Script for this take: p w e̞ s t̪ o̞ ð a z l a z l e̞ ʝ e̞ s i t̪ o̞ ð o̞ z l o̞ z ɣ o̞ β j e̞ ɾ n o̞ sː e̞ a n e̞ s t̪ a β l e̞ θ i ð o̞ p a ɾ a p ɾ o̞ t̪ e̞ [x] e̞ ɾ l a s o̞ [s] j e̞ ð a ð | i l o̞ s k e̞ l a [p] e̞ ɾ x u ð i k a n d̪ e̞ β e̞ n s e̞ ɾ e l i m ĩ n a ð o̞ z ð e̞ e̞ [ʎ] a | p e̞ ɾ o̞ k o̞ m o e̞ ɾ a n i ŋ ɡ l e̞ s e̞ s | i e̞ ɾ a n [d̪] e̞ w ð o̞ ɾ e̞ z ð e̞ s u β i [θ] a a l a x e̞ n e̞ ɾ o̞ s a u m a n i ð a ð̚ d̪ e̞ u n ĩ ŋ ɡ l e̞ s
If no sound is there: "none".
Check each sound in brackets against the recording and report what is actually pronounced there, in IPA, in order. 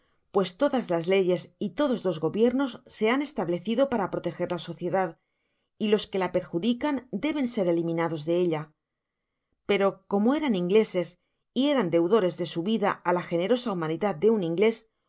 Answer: x, θ, p, ʎ, d̪, ð

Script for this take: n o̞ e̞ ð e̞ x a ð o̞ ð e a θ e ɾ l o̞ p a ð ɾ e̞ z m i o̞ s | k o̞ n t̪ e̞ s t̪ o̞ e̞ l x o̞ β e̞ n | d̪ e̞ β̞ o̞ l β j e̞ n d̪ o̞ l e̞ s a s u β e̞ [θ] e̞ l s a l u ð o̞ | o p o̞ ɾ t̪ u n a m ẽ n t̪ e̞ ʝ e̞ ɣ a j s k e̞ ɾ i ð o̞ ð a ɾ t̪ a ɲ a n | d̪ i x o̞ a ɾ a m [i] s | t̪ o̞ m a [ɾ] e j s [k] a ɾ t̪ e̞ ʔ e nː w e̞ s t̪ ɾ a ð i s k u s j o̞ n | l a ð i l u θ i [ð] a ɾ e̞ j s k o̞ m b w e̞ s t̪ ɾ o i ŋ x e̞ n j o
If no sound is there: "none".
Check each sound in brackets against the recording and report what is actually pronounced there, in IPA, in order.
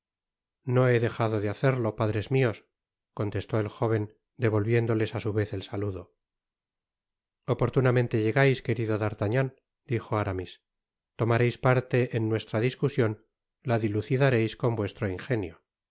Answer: θ, i, ɾ, p, ð

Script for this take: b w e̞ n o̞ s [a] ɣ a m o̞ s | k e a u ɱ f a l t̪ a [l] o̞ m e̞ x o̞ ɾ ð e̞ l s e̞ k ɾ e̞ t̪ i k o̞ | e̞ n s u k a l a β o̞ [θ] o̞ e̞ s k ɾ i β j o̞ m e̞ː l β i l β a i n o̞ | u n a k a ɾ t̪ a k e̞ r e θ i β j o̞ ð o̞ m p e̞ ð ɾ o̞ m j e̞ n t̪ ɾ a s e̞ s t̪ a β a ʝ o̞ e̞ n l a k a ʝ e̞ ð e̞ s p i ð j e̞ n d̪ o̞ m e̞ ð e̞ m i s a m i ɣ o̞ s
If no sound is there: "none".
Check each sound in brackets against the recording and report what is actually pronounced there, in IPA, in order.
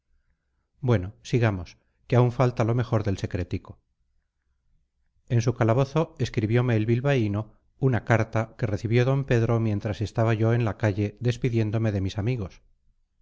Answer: i, l, θ

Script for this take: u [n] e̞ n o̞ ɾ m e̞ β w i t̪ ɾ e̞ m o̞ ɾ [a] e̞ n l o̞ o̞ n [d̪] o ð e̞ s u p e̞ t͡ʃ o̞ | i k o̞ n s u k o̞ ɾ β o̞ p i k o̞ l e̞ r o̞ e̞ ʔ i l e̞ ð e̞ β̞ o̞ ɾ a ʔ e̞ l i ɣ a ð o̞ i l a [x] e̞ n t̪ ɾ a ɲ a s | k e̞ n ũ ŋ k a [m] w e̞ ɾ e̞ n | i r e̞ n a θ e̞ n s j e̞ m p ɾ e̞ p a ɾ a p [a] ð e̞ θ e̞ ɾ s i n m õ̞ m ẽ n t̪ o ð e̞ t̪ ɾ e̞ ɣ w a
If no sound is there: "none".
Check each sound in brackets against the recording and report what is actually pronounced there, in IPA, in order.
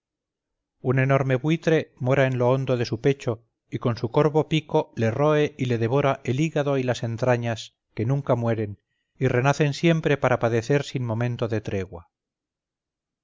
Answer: n, a, d̪, s, m, a

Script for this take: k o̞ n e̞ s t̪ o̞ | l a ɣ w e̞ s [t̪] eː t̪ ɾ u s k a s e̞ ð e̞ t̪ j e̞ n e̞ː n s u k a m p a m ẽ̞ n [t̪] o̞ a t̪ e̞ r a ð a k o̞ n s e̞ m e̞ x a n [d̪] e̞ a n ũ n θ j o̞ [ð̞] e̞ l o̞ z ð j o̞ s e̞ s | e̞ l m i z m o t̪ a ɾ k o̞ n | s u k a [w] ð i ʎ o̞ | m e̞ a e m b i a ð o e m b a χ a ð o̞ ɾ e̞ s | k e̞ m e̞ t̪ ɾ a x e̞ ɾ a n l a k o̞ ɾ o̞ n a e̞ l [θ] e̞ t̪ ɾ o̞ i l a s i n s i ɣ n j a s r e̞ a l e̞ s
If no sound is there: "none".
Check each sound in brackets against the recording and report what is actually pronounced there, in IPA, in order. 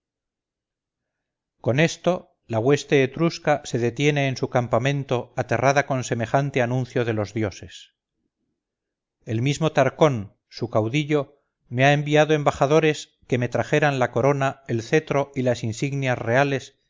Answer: t̪, t̪, t̪, ð̞, w, θ

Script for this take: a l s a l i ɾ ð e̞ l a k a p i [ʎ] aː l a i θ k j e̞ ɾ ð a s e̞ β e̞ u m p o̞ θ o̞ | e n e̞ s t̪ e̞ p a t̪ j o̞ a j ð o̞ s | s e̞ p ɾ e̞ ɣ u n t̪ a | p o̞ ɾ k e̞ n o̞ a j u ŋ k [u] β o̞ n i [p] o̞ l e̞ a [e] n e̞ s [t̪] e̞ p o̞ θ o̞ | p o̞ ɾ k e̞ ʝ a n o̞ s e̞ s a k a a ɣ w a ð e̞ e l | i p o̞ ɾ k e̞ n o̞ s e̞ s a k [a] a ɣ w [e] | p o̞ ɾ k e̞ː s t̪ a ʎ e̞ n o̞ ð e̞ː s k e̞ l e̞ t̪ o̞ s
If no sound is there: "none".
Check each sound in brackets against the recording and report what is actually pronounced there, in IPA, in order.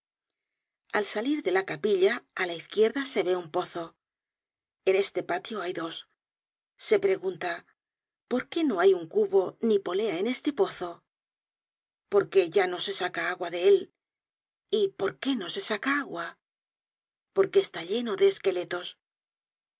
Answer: ʎ, u, p, e, t̪, a, a

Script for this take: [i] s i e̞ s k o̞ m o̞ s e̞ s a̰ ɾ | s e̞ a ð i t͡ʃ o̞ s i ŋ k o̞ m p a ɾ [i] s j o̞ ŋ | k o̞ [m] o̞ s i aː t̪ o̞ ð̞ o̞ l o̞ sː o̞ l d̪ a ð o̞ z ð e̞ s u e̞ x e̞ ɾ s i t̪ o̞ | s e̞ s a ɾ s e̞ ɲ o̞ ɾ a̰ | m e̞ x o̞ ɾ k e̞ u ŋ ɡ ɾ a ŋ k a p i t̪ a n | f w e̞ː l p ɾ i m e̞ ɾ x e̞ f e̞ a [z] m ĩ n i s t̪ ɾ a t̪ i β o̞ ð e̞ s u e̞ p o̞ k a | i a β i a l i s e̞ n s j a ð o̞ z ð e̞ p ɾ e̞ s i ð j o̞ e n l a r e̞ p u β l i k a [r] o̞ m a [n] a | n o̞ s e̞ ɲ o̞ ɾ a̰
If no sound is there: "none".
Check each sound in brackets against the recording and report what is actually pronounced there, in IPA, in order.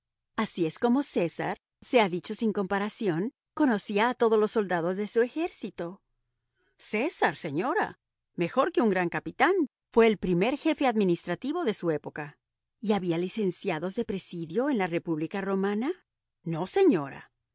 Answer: a, a, n, ð, r, n

